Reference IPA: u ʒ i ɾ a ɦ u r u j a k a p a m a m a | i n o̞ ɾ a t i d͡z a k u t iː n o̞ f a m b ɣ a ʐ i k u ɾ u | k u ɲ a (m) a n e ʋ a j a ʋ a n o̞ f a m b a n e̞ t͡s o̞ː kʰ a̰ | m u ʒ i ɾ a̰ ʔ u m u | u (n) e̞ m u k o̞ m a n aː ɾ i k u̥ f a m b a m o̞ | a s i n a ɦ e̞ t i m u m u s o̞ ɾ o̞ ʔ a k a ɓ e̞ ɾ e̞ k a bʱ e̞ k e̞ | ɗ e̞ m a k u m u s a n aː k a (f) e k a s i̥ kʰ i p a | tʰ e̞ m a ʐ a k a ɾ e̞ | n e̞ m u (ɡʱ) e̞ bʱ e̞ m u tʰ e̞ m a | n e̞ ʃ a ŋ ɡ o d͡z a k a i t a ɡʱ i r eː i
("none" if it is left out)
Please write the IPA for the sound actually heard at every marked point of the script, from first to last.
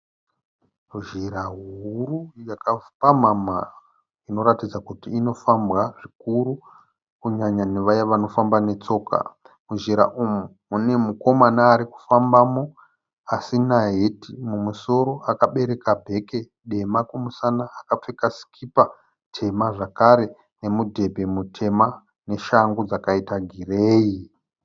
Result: ɲ, n, p͡f, dʱ

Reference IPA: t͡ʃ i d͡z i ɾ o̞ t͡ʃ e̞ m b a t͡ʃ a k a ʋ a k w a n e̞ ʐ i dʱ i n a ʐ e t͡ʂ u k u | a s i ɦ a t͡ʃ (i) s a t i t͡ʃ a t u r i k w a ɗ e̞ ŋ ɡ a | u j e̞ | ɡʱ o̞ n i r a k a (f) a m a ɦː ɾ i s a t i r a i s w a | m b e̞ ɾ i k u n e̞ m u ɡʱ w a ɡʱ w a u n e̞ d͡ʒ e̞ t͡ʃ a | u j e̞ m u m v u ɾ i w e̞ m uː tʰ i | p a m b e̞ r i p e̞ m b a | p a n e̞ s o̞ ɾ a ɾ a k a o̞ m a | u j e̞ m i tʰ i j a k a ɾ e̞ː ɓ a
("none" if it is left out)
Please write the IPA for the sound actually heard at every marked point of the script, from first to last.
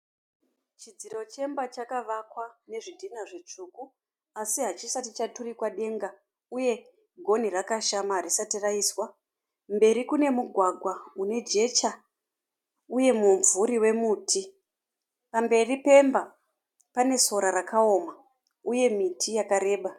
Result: i, ʃ

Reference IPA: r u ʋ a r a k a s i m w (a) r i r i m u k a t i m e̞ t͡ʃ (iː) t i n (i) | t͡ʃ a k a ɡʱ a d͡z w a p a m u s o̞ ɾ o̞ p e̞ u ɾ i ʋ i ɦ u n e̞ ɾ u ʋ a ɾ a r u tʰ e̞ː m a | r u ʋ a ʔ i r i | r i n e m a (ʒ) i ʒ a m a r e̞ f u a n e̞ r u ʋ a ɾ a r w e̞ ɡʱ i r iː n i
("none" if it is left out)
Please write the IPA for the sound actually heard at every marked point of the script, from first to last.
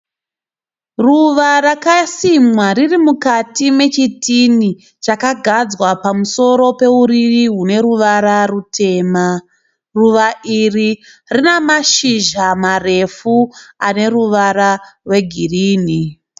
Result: a, i, i, ʃ

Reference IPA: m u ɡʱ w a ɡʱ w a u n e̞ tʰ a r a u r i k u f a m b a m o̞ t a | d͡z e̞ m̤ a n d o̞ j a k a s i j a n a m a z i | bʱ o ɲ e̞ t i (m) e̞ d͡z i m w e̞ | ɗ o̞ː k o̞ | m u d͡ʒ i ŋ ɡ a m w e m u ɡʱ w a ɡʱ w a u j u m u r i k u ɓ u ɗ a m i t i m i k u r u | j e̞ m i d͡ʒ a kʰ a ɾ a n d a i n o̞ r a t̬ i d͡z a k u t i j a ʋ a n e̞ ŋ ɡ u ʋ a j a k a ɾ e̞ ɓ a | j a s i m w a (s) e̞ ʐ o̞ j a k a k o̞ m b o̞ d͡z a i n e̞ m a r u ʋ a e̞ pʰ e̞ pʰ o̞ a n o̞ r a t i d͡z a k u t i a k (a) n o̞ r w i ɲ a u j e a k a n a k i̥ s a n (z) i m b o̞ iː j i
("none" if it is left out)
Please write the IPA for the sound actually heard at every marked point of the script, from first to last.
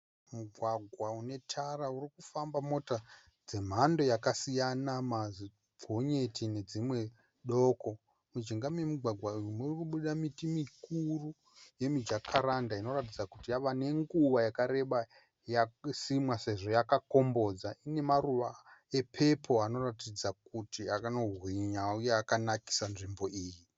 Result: n, s, a, ʐ

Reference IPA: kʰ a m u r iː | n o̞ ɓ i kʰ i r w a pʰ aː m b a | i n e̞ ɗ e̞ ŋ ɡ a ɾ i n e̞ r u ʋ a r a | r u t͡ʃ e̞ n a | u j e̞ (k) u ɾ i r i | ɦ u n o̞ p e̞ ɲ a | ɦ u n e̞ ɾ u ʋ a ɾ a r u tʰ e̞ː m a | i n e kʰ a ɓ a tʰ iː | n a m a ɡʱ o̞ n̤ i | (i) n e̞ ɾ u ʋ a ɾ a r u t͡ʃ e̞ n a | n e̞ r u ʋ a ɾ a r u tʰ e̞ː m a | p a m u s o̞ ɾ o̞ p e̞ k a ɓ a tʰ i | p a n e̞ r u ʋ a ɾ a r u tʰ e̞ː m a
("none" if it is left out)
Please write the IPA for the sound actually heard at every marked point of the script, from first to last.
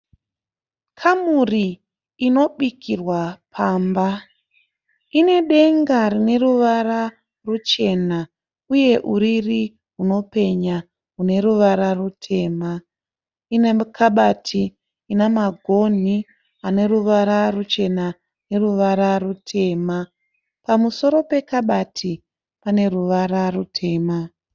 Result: ʔ, a

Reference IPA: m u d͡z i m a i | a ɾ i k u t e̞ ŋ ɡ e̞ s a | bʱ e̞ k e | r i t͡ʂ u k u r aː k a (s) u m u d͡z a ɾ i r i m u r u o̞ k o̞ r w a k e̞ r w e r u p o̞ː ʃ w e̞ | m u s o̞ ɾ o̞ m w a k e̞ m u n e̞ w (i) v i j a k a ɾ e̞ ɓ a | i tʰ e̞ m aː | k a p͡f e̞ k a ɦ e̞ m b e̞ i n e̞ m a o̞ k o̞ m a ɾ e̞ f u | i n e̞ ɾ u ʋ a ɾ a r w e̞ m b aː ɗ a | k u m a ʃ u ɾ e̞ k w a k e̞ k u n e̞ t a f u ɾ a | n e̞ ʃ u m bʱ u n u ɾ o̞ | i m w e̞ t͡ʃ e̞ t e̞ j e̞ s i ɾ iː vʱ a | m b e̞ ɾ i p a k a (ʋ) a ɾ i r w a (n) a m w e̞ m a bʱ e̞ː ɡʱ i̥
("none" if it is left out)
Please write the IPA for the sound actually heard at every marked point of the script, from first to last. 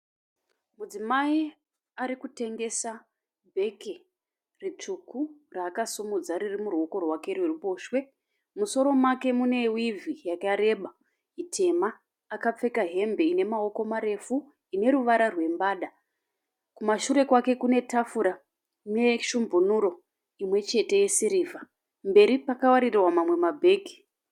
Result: s, i, w, m

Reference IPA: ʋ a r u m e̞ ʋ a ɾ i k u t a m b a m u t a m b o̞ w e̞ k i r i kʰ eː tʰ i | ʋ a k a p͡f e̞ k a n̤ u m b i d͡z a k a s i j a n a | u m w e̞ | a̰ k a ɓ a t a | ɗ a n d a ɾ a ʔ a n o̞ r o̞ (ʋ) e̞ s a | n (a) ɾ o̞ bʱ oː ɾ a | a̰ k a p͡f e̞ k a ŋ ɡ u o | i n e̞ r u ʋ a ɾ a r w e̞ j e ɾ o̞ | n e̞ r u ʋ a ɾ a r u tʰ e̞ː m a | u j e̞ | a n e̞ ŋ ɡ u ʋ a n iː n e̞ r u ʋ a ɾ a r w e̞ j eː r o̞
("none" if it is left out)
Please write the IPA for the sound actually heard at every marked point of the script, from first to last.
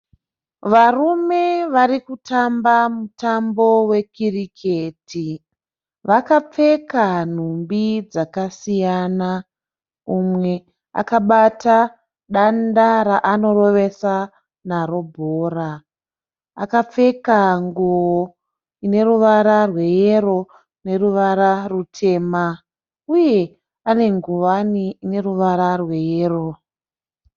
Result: ʋ, a

